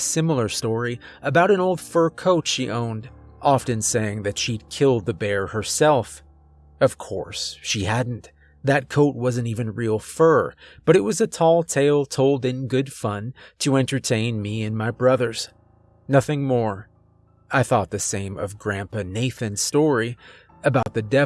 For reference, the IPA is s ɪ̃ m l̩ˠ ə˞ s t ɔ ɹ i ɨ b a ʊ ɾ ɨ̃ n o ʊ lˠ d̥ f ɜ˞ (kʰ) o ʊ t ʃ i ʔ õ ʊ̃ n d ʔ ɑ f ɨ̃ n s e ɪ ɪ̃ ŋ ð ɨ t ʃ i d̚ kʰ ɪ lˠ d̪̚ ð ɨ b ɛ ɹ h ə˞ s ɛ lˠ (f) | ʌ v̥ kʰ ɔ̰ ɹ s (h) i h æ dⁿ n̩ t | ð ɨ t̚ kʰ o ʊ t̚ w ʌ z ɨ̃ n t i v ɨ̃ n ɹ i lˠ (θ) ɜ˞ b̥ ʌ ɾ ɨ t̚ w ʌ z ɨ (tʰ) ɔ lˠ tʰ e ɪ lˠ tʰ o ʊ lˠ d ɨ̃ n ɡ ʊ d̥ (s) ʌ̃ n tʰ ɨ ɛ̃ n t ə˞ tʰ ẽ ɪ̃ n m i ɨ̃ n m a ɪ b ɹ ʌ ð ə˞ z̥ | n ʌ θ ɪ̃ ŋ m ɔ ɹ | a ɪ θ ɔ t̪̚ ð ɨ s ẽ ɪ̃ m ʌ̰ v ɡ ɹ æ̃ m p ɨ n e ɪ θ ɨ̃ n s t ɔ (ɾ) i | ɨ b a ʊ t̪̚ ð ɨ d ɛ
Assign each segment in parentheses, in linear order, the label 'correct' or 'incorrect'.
correct, correct, incorrect: ʃ, incorrect: f, correct, incorrect: f, incorrect: ɹ

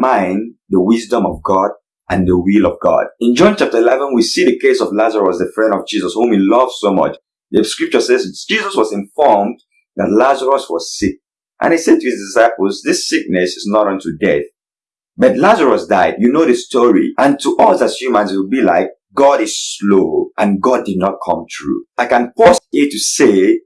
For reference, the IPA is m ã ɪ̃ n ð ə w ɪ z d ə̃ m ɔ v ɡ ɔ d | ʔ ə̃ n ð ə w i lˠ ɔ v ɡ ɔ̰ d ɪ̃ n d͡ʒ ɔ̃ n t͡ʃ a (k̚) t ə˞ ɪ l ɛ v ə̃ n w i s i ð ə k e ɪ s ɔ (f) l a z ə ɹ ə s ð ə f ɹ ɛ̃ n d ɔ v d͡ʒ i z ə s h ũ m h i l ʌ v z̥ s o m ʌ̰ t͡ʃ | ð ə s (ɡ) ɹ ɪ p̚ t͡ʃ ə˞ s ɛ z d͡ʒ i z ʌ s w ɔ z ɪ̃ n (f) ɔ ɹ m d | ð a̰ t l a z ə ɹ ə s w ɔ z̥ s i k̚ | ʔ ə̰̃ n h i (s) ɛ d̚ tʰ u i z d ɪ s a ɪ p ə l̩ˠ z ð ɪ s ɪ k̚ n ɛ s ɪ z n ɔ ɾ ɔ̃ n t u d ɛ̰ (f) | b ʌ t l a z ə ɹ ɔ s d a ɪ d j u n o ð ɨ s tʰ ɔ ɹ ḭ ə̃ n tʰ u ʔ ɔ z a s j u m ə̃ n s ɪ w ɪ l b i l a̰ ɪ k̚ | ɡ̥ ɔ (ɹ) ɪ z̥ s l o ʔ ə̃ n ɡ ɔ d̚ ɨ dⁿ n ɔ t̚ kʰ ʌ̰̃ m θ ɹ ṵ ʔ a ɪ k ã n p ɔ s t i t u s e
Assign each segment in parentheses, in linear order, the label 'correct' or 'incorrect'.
incorrect: p̚, incorrect: v, incorrect: k, correct, correct, incorrect: θ, incorrect: ɾ

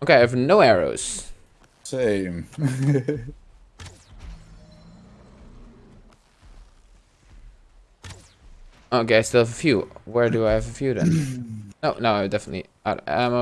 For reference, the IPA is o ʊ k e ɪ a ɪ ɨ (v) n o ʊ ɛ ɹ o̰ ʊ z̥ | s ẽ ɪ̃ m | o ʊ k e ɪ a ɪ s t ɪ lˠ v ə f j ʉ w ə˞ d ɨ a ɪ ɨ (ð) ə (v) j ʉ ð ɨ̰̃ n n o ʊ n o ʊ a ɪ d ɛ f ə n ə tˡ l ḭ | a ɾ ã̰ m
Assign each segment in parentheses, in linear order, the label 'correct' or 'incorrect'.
correct, incorrect: v, incorrect: f

